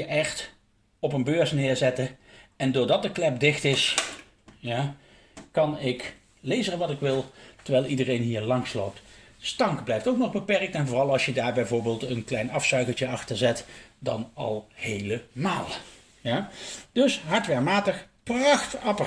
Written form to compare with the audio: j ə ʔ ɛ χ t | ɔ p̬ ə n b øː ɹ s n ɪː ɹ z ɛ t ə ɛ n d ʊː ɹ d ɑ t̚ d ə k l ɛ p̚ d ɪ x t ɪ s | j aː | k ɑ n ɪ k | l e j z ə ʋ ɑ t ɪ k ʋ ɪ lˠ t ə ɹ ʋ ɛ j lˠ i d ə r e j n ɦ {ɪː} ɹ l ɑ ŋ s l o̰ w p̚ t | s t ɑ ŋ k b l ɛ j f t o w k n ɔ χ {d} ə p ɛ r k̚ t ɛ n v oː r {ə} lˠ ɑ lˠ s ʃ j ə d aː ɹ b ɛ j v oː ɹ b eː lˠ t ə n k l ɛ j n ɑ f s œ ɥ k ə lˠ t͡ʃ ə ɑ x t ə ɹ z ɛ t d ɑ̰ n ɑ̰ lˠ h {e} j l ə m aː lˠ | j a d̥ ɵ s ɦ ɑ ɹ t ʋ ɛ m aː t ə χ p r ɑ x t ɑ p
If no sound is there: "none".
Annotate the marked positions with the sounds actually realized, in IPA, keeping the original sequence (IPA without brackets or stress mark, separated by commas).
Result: iː, b, ɑ, e